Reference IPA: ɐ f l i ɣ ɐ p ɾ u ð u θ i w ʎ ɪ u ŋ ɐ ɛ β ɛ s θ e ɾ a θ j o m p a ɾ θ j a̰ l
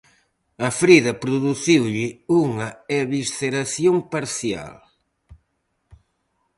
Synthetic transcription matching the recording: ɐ f ɾ i ð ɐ p ɾ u ð u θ i w ʎ ɪ u ŋ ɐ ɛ β i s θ e ɾ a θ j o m p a ɾ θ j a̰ l